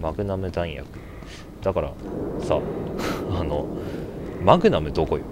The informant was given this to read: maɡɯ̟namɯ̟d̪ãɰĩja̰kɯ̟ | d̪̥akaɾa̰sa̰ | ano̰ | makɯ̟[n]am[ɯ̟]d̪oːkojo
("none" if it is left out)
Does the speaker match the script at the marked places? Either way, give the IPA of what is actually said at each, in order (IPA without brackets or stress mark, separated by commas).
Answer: n, ɯ̟